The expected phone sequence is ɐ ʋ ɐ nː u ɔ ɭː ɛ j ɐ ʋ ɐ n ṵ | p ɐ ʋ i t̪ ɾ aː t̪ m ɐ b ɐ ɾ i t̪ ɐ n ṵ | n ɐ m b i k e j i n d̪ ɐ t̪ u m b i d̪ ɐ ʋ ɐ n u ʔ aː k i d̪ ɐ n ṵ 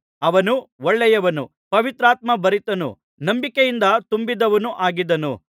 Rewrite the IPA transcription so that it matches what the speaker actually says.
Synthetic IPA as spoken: ɐ ʋ ɐ n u ɔ ɭː ɛ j ɐ ʋ ɐ n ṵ | p ɐ ʋ i t̪ ɾ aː t̪ m ɐ b ɐ ɾ i t̪ ɐ n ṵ | n ɐ m b i k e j i n d̪ ɐ t̪ u m b i d̪ ɐ ʋ ɐ n u ʔ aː ɡ i d̪ ɐ n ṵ